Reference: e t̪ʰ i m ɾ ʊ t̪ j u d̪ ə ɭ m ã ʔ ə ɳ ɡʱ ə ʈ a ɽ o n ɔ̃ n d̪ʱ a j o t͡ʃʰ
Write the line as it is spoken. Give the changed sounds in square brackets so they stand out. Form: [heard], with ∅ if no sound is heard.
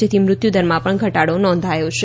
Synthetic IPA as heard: e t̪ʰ i m ɾ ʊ t̪ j u d̪ ə [ɾ] m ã [p] ə ɳ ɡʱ ə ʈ a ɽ o n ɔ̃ n d̪ʱ a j o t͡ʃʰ